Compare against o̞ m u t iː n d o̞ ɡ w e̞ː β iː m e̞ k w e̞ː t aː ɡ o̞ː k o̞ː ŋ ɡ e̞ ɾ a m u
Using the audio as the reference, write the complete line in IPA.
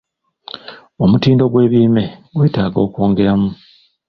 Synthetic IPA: o̞ m u t iː n d o̞ ɡ w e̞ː β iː m e̞ ɡ w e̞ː t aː ɡ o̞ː k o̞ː ŋ ɡ e̞ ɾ a m u